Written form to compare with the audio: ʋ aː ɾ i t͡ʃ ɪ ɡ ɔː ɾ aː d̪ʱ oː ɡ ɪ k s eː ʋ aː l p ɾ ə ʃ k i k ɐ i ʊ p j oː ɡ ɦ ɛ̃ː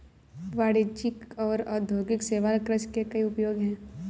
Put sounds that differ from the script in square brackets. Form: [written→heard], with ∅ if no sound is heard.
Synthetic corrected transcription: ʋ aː [ɾ→ɽ] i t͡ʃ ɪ [ɡ→k] ɔː ɾ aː d̪ʱ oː ɡ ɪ k s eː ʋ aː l [p→k] ɾ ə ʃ k [i→e] k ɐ i ʊ p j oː ɡ ɦ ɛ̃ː